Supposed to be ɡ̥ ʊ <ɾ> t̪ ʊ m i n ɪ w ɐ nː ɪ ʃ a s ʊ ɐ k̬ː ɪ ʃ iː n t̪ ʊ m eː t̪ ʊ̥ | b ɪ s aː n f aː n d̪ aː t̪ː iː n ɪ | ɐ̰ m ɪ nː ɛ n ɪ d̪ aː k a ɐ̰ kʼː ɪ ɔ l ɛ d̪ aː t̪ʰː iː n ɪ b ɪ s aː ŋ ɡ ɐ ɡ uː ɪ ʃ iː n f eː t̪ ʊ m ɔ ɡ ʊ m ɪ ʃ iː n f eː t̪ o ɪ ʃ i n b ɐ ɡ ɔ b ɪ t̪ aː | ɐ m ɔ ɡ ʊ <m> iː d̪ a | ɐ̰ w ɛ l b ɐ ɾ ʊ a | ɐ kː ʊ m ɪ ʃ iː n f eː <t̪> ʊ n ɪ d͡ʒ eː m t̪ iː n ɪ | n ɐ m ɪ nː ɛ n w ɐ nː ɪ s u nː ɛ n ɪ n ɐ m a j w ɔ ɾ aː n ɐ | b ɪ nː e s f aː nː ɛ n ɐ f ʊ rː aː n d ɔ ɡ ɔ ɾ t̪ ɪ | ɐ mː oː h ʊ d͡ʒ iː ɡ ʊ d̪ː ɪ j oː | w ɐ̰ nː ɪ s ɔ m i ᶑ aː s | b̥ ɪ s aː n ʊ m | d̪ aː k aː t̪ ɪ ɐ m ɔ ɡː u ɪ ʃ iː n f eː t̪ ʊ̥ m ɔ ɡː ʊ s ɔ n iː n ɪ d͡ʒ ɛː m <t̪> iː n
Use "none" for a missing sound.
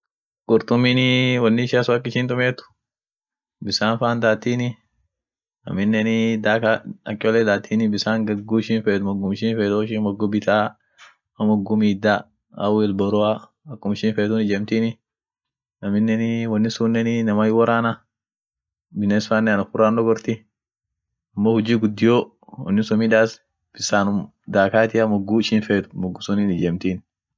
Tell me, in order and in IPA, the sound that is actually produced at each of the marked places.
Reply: ɾ, m, t̪, t̪

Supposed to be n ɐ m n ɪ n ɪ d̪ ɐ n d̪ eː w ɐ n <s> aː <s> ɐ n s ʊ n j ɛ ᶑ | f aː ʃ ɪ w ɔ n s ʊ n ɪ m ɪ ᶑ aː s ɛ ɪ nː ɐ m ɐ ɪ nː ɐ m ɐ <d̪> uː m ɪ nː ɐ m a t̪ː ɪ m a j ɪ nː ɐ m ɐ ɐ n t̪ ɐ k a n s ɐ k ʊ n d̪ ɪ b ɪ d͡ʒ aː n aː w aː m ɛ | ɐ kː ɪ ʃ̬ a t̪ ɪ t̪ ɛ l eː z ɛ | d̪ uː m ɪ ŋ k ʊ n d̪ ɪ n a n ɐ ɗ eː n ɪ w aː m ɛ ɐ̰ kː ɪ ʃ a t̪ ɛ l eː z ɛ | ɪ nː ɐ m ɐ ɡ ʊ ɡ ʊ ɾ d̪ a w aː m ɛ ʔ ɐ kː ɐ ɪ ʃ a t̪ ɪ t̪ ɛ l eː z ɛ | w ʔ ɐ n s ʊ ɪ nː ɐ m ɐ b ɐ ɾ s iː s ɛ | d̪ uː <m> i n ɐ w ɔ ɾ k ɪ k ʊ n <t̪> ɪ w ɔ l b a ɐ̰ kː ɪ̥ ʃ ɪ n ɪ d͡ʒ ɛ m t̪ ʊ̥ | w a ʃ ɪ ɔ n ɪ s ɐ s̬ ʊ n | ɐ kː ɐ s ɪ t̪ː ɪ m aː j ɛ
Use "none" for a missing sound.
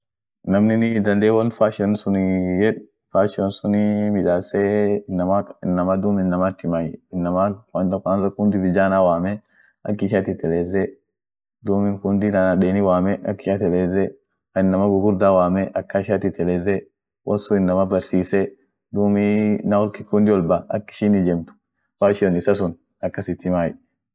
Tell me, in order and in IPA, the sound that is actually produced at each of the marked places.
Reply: f, ʃ, d̪, m, d̪

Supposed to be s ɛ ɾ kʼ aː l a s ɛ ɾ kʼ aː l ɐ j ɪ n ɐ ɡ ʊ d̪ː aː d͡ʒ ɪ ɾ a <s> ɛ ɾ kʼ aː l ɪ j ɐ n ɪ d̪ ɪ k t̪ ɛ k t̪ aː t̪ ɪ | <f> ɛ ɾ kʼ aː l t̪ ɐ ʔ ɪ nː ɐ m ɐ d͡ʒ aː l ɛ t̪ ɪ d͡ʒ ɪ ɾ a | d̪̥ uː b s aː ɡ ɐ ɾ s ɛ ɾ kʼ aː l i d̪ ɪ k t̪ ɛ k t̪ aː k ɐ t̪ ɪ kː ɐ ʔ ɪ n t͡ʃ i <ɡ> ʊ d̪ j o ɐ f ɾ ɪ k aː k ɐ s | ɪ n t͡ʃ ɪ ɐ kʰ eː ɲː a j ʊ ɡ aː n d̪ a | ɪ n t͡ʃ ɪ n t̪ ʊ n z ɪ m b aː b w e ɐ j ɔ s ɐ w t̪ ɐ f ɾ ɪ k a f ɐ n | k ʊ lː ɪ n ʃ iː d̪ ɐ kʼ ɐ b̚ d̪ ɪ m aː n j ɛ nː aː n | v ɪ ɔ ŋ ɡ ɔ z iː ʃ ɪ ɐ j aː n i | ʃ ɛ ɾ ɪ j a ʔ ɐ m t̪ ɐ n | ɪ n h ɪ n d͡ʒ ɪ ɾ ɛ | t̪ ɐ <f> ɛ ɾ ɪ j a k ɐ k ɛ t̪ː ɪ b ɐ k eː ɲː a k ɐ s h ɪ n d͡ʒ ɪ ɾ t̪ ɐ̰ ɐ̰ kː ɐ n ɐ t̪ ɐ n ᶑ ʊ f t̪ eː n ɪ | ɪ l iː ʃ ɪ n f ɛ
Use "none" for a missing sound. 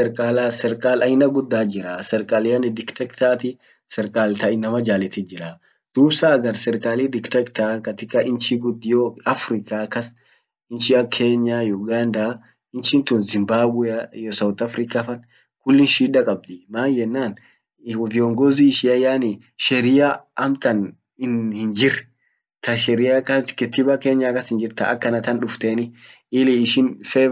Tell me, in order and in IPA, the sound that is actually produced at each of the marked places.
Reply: s, s, ɡ, ʃ

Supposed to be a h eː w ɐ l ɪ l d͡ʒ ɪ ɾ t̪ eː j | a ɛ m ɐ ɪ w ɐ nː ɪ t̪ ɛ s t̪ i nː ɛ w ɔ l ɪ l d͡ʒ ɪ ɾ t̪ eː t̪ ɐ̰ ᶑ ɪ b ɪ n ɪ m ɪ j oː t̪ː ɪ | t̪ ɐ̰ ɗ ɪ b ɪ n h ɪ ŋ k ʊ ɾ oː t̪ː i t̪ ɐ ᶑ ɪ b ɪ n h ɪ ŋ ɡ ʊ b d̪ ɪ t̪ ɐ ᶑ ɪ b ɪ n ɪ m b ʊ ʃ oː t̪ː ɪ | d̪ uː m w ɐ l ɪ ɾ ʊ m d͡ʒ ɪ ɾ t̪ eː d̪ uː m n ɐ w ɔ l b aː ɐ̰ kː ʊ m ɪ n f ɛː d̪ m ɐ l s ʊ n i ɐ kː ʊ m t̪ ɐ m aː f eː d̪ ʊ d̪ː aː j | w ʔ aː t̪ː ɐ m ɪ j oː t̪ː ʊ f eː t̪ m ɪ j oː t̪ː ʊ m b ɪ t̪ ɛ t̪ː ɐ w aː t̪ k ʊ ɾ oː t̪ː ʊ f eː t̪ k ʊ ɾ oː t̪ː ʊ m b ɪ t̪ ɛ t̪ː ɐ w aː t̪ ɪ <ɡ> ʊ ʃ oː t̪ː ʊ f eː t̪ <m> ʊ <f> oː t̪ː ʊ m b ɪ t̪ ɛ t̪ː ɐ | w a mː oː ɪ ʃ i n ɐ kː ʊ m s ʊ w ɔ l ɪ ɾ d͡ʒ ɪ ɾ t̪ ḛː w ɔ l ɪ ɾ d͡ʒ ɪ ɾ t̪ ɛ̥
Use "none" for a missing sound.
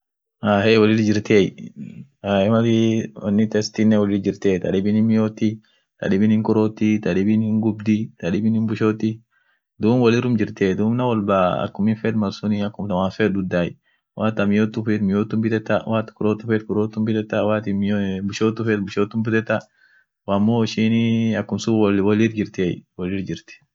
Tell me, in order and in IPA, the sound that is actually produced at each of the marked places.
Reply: b, b, ʃ

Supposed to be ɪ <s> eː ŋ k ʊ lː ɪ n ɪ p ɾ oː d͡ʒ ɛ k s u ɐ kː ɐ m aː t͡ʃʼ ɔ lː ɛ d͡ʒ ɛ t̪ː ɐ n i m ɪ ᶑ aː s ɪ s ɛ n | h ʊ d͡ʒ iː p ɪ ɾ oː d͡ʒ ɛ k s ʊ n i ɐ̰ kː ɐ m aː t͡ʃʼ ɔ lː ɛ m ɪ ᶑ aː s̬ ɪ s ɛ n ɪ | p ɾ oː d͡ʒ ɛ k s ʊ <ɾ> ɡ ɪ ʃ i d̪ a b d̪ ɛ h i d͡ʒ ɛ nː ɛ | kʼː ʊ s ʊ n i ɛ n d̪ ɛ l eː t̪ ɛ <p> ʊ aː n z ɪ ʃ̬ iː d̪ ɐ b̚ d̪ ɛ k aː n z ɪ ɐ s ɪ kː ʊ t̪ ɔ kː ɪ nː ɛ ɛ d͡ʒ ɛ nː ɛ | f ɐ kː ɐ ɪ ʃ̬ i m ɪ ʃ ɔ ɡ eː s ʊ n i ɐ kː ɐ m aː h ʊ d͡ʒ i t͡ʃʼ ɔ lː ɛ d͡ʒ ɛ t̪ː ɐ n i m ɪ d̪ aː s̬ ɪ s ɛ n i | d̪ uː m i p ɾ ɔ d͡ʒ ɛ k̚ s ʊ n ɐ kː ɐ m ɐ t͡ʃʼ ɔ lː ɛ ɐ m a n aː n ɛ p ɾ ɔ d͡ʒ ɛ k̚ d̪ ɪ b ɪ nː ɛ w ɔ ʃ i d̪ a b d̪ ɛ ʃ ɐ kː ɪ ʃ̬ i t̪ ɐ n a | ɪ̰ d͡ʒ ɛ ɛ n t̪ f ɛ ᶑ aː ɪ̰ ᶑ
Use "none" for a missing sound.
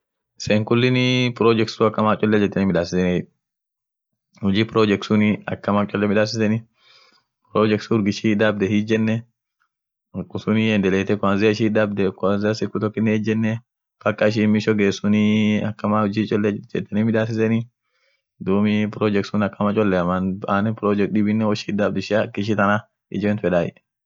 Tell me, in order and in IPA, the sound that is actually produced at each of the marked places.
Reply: s, ɾ, k

